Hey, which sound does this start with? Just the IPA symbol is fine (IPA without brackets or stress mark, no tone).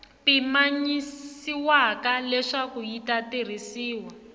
p